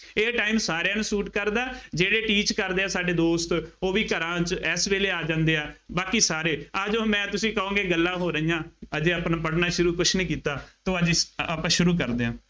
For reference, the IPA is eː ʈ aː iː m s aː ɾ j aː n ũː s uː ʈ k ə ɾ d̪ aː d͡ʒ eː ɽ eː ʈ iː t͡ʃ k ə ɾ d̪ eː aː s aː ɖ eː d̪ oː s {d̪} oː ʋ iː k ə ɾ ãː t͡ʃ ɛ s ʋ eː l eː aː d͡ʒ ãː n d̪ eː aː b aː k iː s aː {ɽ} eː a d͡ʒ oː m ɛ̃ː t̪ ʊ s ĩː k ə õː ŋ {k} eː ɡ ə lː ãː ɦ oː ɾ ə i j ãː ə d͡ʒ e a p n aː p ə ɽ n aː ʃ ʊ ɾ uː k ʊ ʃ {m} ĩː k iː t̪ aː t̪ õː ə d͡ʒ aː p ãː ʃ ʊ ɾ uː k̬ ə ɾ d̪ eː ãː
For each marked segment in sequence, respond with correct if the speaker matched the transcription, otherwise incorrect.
incorrect: t̪, incorrect: ɾ, incorrect: ɡ, incorrect: n

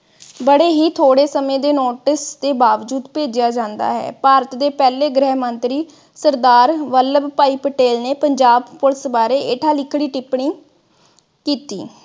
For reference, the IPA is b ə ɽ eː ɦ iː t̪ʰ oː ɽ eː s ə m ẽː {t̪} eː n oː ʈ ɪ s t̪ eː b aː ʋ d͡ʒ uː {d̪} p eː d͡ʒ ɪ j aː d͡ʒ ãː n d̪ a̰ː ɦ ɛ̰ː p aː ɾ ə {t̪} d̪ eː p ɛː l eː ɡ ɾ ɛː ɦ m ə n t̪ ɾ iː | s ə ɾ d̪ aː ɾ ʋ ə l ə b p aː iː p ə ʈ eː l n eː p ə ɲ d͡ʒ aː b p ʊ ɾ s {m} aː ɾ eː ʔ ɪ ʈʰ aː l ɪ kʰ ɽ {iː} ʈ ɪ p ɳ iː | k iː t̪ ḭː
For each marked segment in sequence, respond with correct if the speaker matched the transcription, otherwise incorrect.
incorrect: d̪, correct, correct, incorrect: b, correct

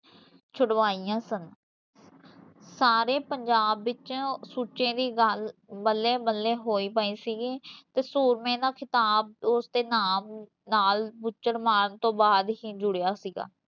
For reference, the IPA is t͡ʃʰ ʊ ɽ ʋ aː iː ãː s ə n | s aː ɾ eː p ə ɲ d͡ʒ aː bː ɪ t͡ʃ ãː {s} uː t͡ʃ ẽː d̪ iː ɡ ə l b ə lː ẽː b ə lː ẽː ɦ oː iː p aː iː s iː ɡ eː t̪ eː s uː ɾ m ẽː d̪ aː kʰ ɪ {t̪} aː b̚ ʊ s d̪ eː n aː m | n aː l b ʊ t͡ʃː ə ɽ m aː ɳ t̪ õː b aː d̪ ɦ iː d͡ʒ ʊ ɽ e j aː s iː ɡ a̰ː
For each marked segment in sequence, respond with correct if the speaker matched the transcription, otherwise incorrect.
correct, correct

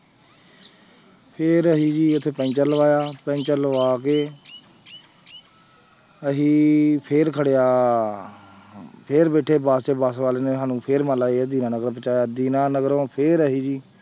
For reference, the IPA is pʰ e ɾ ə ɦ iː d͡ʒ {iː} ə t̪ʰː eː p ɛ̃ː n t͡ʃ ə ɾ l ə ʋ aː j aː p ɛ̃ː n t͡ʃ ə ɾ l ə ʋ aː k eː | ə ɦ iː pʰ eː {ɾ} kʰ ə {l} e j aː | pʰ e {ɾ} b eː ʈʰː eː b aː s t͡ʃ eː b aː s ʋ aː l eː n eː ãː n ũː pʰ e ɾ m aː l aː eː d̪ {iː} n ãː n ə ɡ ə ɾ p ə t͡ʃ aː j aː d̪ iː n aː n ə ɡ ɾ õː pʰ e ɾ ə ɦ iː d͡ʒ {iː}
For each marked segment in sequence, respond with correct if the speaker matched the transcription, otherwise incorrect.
correct, correct, incorrect: ɽ, correct, correct, correct

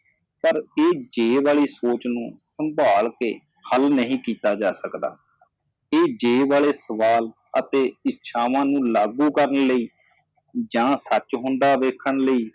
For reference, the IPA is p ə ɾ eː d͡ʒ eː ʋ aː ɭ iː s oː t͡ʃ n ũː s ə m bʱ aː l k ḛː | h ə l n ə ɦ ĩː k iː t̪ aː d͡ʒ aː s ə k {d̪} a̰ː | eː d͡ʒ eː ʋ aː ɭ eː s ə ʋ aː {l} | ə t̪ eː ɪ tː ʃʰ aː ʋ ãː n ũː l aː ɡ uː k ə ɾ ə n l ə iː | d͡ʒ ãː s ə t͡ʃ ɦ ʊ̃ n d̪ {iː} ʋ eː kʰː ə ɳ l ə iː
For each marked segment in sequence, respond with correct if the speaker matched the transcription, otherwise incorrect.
correct, correct, incorrect: aː

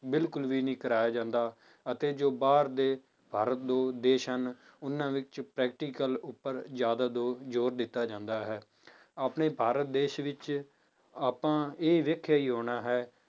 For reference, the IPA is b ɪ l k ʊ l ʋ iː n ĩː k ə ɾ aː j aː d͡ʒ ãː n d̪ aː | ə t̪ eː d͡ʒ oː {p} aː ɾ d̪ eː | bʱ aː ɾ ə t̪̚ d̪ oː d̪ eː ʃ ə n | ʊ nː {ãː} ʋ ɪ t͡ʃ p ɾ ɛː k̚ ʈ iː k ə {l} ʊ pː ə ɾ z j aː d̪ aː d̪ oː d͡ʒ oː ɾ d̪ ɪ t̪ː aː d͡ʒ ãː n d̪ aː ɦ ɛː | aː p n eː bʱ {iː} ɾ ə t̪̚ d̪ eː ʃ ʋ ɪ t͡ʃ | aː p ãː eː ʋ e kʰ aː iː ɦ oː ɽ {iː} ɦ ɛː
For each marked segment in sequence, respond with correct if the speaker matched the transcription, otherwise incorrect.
incorrect: b, correct, correct, incorrect: aː, incorrect: aː

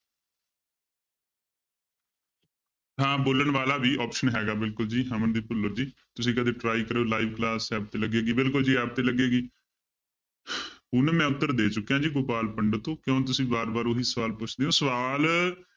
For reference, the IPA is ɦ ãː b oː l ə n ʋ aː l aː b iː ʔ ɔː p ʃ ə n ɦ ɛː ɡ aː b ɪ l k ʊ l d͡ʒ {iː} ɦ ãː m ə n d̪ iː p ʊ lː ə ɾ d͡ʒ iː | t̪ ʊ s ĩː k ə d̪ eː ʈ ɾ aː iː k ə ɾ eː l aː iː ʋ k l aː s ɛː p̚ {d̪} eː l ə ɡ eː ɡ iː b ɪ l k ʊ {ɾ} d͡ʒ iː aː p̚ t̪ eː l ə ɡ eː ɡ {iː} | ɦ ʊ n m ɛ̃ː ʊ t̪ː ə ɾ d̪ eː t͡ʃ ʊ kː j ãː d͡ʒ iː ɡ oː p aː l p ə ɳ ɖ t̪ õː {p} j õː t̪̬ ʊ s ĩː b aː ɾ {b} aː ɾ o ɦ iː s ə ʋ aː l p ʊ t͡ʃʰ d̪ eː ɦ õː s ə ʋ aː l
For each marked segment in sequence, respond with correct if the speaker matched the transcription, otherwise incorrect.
correct, incorrect: t̪, incorrect: l, correct, incorrect: k, correct

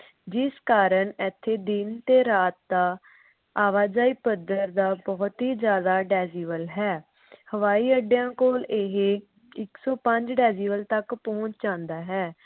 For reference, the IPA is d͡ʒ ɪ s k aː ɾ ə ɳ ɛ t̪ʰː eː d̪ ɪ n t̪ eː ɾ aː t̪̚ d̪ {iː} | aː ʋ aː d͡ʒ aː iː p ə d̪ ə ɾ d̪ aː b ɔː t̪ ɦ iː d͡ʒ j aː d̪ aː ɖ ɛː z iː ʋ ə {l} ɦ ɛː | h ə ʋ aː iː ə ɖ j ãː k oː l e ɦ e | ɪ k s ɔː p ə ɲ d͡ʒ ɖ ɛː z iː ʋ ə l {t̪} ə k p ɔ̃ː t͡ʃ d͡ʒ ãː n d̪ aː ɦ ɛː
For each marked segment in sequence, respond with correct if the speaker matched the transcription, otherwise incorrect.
incorrect: aː, correct, correct

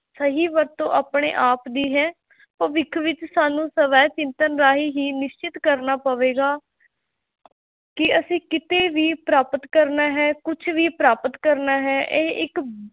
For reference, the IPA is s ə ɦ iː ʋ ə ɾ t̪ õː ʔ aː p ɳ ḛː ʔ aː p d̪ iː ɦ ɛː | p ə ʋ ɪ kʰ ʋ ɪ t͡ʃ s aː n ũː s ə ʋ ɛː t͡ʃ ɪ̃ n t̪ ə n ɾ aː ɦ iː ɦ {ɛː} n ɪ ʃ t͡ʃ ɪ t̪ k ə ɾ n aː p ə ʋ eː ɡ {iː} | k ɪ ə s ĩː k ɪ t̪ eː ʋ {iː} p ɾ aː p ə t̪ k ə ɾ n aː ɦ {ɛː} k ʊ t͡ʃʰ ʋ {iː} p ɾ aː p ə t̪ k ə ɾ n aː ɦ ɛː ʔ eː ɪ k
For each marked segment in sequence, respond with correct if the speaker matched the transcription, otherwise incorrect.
incorrect: iː, incorrect: aː, correct, correct, correct

